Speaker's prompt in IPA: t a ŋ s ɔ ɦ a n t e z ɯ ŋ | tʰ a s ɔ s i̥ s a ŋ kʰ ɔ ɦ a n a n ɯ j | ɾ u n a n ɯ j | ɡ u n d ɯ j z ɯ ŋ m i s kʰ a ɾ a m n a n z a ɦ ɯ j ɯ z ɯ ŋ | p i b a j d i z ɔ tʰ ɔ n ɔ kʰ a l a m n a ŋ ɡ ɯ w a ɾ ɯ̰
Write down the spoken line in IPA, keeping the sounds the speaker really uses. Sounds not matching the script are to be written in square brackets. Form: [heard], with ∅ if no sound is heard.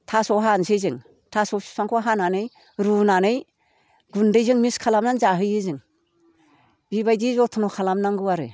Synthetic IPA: [tʰ] a [∅] s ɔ ɦ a n [s] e z ɯ ŋ | tʰ a s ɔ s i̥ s a ŋ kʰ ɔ ɦ a n a n ɯ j | ɾ u n a n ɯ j | ɡ u n d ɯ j z ɯ ŋ m i s kʰ a [l] a m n a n z a ɦ ɯ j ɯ z ɯ ŋ | [b] i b a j d i z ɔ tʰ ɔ n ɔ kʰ a l a m n a ŋ ɡ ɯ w a ɾ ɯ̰